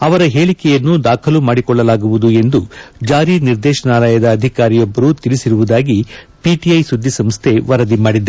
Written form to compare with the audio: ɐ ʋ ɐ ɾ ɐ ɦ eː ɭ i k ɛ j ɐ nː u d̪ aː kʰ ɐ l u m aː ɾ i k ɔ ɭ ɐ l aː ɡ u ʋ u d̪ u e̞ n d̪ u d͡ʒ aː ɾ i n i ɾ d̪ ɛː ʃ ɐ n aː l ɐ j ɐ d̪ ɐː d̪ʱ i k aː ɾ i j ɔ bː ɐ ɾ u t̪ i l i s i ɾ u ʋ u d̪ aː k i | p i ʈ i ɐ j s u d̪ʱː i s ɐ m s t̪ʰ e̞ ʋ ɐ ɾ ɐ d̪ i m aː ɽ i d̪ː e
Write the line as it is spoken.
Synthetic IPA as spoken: ɐ ʋ ɐ ɾ ɐ ɦ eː ɭ i k ɛ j ɐ nː u d̪ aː kʰ ɐ l u m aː ɽ i k ɔ ɭː ɐ l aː ɡ u ʋ u d̪ u e̞ n d̪ u d͡ʒ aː ɾ i n i ɾ d̪ ɛː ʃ ɐ n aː l ɐ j ɐ d̪ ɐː d̪ʱ i k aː ɾ i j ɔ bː ɐ ɾ u t̪ i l i s i ɾ u ʋ u d̪ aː ɡ i | p i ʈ i ɐ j s u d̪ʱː i s ɐ m s t̪ʰ e̞ ʋ ɐ ɾ ɐ d̪ i m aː ɽ i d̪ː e